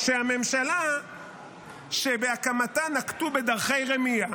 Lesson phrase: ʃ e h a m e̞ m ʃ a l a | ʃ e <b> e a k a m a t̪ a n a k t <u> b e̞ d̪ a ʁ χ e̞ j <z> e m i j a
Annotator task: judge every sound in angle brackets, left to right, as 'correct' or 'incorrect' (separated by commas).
correct, correct, incorrect